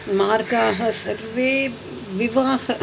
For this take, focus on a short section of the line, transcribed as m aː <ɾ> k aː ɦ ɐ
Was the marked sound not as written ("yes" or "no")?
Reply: no